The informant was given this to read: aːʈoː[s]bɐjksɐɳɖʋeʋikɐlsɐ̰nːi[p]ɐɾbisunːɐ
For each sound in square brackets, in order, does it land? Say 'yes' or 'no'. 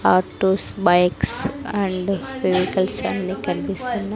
yes, no

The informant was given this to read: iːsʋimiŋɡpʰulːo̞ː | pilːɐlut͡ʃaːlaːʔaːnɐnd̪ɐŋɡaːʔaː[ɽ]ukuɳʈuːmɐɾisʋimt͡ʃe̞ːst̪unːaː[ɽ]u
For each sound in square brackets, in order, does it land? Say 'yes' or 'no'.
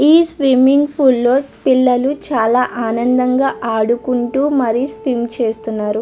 yes, no

